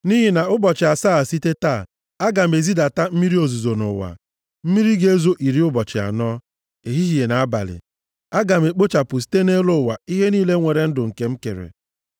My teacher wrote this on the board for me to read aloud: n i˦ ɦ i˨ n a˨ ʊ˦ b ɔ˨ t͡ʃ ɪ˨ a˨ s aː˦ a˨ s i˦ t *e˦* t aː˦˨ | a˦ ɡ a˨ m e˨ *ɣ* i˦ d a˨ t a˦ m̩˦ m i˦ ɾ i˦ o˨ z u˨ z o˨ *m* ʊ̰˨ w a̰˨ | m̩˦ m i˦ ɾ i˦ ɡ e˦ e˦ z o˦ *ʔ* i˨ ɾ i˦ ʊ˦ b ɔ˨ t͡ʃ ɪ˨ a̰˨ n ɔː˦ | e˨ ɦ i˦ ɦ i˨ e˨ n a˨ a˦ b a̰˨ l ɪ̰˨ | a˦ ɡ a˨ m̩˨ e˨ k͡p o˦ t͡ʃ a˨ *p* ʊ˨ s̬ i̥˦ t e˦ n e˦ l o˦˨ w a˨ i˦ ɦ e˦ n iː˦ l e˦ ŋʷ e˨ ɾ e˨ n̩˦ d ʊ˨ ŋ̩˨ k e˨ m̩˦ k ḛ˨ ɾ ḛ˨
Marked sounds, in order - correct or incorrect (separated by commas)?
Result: correct, incorrect, incorrect, correct, correct